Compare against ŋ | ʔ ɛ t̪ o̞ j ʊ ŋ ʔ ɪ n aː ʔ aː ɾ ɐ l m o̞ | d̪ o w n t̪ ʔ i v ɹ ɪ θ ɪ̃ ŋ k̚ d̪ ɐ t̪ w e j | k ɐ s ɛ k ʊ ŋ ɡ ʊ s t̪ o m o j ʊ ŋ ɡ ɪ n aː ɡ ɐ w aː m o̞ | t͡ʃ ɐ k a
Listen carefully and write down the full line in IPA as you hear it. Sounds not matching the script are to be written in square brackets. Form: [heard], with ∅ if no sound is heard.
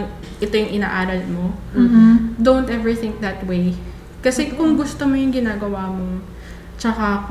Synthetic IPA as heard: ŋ | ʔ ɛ t̪ o̞ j ʊ ŋ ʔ ɪ n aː ʔ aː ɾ ɐ l m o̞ | d̪ o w n t̪ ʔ [ɛ] v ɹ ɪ θ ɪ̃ ŋ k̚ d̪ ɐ t̪ w e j | k ɐ s ɛ k ʊ ŋ ɡ ʊ s t̪ o m o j ʊ ŋ ɡ ɪ n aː ɡ ɐ w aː m o̞ | t͡ʃ ɐ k a